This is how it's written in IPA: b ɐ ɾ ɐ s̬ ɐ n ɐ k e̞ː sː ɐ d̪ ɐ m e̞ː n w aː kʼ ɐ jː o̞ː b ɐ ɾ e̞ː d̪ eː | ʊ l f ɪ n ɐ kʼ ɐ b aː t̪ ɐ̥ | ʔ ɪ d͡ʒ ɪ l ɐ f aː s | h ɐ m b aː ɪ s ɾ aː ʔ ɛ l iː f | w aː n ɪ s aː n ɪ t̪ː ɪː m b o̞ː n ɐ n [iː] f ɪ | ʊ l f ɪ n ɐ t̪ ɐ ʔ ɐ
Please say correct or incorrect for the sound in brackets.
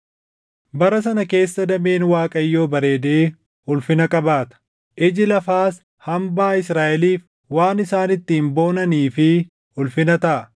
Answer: correct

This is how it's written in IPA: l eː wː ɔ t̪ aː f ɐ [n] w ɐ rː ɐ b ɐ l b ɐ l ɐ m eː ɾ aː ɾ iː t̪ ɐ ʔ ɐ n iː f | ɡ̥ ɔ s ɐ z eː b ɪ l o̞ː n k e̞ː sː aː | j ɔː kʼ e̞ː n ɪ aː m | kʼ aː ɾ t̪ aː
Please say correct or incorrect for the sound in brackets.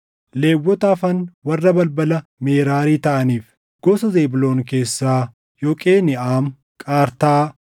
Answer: correct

